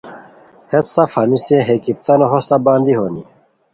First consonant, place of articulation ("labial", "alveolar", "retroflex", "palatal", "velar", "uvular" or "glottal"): glottal